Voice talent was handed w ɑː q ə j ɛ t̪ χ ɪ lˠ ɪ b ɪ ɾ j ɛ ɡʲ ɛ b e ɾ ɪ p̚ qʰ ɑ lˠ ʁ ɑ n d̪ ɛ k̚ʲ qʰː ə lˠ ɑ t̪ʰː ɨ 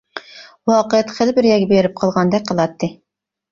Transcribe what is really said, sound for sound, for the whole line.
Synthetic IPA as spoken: w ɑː q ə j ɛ t̪ χ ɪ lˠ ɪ b ɪ ɾ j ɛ ɡʲ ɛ b e ɾ ɪ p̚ qʰ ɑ lˠ ʁ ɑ n d̪ ɛ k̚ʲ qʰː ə lˠ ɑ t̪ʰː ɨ